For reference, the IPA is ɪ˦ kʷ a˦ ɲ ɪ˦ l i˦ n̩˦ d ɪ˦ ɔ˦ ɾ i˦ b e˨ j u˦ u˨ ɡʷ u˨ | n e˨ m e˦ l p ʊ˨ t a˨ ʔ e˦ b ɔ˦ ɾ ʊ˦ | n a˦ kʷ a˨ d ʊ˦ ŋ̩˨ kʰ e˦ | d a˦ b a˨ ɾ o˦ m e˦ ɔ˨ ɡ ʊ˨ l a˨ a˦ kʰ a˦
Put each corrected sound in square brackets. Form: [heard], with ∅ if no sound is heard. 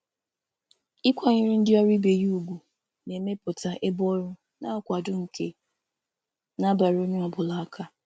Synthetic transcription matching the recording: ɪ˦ kʷ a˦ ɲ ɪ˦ [ɾ] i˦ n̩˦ d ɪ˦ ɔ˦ ɾ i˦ b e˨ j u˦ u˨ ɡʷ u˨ | n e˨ m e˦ [∅] p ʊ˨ t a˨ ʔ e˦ b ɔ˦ ɾ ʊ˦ | n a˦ kʷ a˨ d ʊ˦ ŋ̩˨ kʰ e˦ | [n] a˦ b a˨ ɾ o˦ [ɲ] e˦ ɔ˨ [b] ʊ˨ l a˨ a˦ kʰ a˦